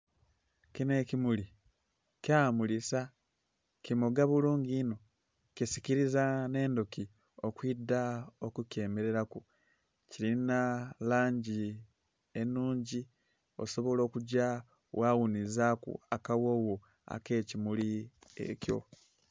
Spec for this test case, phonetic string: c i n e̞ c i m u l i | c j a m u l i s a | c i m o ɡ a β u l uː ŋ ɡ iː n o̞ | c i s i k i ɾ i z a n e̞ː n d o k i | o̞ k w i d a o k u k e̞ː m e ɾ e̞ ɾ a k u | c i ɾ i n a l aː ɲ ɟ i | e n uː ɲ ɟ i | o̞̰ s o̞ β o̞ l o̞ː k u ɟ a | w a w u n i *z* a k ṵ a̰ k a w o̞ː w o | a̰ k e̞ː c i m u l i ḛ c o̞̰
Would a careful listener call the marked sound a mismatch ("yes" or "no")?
no